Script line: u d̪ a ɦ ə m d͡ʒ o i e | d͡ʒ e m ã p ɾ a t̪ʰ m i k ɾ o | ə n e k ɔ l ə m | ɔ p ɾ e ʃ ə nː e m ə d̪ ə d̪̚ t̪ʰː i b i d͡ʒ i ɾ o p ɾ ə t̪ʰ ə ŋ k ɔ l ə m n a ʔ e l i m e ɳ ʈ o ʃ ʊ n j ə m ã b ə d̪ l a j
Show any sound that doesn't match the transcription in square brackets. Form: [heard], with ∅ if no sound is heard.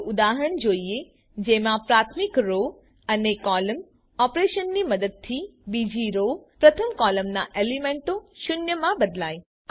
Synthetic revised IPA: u d̪ a ɦ ə [ɳ] d͡ʒ o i e | d͡ʒ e m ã p ɾ a t̪ʰ m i k ɾ o | ə n e k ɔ l ə m | ɔ p ɾ e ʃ ə nː [i] m ə d̪ ə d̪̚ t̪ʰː i b i d͡ʒ i ɾ o p ɾ ə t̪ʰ ə [m] k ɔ l ə m n a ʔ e l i m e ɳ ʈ o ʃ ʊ n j ə m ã b ə d̪ l a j